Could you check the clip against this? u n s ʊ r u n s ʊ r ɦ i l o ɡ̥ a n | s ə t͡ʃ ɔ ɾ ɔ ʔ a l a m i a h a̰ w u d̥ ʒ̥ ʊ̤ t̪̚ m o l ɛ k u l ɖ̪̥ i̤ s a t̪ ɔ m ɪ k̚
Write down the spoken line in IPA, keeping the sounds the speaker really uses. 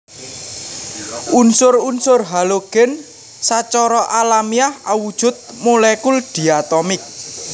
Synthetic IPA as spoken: u n s ʊ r u n s ʊ r ɦ a l o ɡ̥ ɛ n | s a t͡ʃ ɔ ɾ ɔ ʔ a l a m i a h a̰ w u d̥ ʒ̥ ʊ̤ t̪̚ m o l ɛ k u l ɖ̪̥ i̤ a t̪ ɔ m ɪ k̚